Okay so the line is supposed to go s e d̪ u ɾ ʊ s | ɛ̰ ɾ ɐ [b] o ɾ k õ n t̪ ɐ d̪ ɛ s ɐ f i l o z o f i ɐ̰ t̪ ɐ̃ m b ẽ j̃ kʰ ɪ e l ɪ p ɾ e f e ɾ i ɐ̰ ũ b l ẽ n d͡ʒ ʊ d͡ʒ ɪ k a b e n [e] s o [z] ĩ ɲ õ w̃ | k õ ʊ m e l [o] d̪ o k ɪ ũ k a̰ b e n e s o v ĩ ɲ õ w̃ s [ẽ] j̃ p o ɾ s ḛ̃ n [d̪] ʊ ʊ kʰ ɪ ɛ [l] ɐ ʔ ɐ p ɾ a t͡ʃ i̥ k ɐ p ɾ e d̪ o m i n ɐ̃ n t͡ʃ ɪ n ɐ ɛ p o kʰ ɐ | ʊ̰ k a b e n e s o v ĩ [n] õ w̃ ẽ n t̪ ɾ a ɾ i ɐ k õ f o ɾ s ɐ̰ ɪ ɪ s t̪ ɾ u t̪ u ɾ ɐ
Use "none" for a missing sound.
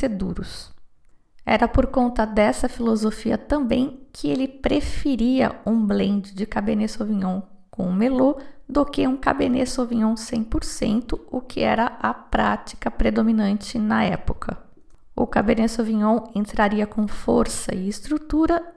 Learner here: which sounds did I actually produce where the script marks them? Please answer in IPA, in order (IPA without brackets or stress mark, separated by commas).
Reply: p, e, v, o, ẽ, t̪, ɾ, ɲ